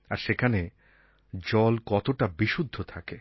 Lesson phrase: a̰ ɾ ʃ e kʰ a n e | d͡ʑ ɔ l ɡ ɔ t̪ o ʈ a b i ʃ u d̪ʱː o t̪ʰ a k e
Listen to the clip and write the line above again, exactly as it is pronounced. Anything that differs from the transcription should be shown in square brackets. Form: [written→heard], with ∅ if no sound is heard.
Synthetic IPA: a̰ ɾ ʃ e kʰ a n e | d͡ʑ ɔ l [ɡ→k] ɔ t̪ o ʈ a b i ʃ u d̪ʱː o t̪ʰ a k e